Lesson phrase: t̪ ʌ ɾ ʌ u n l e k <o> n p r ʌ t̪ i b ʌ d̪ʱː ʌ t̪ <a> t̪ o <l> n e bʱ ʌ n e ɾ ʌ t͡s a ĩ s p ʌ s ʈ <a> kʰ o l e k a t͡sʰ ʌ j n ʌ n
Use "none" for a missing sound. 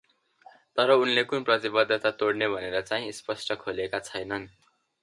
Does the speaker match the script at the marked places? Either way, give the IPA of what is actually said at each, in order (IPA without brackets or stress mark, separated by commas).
u, a, ɽ, ʌ